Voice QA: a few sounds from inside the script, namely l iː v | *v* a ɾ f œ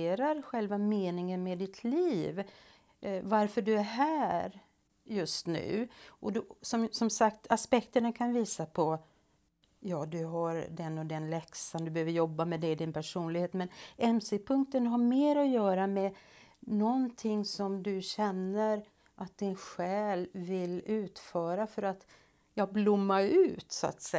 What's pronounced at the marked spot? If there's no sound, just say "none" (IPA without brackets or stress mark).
v